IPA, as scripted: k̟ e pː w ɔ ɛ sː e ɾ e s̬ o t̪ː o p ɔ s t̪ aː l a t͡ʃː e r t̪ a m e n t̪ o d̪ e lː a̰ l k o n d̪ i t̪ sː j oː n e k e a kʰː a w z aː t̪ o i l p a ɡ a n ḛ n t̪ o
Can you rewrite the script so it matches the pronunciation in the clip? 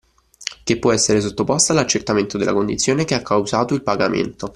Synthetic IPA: k̟ e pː w ɔ ɛ sː e ɾ e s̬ o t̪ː o p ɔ s t̪ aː l a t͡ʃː e r t̪ a m e n t̪ o d̪ e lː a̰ k o n d̪ i t̪ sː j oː n e k e a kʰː a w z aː t̪ o i l p a ɡ a m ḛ n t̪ o